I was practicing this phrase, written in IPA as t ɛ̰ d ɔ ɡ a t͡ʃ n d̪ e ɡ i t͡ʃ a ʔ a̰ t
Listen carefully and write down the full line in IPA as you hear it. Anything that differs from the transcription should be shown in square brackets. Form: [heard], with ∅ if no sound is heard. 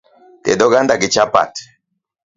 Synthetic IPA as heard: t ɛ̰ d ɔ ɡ a [∅] n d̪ [a] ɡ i t͡ʃ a [p] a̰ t